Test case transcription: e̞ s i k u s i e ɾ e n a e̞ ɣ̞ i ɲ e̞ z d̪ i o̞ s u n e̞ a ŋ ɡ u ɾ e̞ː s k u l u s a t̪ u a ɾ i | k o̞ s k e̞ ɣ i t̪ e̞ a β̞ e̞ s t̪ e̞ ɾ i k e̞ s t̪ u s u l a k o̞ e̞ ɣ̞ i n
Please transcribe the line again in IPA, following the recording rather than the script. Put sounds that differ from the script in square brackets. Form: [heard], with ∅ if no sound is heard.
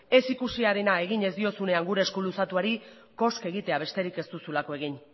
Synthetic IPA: e̞ s i k u s i [a] ɾ e n a e̞ ɣ̞ i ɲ e̞ z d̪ i o̞ s u n e̞ a ŋ ɡ u ɾ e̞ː s k u l u s a t̪ u a ɾ i | k o̞ s k e̞ ɣ i t̪ e̞ a β̞ e̞ s t̪ e̞ ɾ i k e̞ s t̪ u s u l a k o̞ e̞ ɣ̞ i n